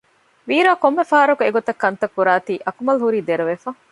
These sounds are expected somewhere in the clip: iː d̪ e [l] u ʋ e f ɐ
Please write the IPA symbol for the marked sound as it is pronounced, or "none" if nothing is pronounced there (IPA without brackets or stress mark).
ɾ